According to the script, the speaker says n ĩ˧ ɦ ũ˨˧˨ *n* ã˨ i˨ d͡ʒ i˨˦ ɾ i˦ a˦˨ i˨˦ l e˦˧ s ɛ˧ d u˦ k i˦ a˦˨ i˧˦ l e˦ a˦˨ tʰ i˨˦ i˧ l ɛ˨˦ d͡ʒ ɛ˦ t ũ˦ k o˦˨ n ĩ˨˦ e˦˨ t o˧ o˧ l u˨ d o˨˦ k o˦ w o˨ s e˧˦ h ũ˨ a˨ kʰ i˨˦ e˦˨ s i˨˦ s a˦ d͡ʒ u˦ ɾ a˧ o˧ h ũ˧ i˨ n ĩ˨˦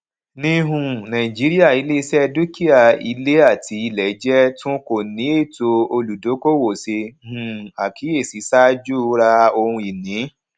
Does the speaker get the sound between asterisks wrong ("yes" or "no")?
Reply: no